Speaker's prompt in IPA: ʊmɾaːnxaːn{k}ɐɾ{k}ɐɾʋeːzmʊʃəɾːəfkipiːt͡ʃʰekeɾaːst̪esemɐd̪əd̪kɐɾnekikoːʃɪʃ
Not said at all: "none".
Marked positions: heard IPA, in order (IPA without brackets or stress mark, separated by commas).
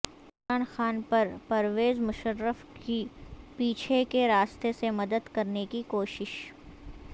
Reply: p, p